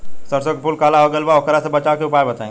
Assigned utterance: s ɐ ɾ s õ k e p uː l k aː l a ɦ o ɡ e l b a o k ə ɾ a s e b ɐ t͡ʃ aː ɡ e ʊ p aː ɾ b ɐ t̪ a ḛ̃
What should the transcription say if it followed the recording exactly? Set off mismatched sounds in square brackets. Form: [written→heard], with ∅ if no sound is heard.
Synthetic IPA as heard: s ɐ ɾ s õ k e p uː l k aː l a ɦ o ɡ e l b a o k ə ɾ a s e b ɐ t͡ʃ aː [ɡ→k] e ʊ p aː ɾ b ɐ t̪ a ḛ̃